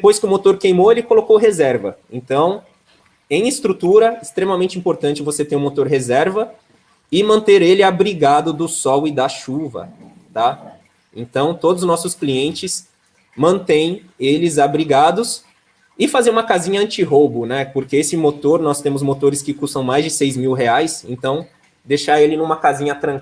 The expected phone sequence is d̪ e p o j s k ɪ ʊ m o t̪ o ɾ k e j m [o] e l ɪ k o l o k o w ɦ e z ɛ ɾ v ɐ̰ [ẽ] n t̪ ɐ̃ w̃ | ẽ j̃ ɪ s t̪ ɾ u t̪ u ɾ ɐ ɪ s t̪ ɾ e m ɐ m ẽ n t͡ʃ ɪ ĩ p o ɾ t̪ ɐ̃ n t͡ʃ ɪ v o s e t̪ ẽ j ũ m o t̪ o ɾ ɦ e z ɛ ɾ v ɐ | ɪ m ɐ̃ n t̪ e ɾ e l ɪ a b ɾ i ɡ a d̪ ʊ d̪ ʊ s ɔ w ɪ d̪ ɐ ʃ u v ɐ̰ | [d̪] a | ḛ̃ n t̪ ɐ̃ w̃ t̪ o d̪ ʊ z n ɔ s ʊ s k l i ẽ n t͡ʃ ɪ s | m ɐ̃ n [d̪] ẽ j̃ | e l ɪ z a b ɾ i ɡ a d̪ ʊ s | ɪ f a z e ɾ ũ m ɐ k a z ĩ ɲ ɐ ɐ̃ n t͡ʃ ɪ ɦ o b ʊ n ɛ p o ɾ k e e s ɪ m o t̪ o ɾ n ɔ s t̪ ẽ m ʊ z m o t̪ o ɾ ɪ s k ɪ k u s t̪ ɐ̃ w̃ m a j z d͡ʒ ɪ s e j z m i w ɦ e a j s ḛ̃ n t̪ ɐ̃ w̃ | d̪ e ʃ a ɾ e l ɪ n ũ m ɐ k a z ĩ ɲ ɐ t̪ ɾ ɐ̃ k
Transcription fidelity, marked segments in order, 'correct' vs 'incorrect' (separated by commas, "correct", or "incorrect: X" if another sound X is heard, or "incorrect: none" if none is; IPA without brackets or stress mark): correct, correct, incorrect: t̪, incorrect: t̪